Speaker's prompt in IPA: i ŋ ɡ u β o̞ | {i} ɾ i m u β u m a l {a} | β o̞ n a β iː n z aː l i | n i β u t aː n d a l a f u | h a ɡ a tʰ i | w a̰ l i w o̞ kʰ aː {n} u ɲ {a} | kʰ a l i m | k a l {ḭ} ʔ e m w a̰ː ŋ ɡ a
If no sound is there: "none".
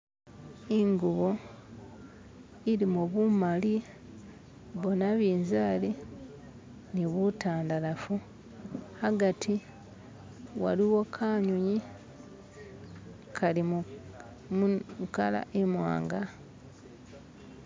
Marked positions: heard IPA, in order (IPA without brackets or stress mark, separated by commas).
i, i, ɲ, i, a̰